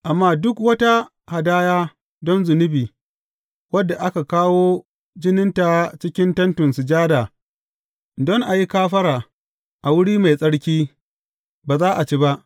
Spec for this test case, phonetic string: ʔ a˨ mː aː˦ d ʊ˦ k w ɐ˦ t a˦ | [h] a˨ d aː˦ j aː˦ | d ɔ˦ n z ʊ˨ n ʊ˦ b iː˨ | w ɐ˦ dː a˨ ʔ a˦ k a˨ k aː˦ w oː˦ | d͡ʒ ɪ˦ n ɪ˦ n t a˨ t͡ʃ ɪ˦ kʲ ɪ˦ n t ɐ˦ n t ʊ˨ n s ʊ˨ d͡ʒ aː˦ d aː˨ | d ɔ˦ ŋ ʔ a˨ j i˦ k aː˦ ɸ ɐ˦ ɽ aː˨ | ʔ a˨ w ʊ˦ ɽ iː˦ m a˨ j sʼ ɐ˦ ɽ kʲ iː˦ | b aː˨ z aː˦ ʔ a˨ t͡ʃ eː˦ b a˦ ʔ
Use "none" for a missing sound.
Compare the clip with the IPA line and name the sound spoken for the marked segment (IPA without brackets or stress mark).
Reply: h